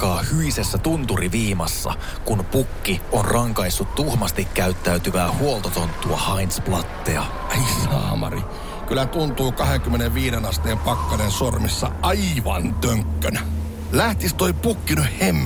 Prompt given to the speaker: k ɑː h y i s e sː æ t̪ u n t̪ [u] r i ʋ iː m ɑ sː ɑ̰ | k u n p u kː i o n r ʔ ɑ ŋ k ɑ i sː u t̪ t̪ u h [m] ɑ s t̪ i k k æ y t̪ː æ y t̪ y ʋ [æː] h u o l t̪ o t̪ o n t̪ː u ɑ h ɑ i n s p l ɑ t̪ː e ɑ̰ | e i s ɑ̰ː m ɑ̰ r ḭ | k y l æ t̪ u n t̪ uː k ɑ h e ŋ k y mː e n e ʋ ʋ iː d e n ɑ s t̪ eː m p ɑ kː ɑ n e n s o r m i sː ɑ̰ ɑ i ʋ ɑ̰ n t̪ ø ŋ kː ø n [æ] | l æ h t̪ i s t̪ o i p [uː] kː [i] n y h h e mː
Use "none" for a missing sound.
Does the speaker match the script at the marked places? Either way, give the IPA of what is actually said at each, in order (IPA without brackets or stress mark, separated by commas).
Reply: u, m, æː, æ, u, i